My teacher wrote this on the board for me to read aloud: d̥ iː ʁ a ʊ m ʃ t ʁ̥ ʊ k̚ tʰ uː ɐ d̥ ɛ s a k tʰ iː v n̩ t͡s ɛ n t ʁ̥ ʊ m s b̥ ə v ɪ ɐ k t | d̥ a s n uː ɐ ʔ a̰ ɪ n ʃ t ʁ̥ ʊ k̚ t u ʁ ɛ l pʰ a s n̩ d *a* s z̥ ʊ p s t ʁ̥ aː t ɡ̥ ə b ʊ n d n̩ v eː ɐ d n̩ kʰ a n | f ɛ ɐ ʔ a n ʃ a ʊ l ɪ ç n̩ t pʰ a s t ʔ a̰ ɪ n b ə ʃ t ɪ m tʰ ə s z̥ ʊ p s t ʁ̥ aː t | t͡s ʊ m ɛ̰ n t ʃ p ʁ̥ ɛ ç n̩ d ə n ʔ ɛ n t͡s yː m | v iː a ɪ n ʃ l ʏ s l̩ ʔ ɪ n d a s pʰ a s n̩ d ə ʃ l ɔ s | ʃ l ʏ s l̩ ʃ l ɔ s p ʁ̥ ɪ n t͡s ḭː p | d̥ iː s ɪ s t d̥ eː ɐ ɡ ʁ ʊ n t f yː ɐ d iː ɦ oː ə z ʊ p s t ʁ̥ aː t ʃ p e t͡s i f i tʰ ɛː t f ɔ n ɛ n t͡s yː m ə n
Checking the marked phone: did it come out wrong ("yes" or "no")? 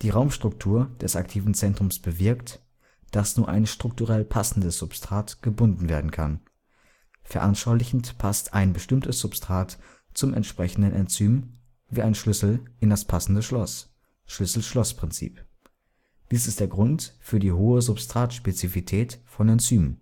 yes